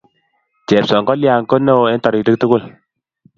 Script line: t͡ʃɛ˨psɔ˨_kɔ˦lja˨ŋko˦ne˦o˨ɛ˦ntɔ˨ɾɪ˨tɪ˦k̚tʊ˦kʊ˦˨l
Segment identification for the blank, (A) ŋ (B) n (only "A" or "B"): A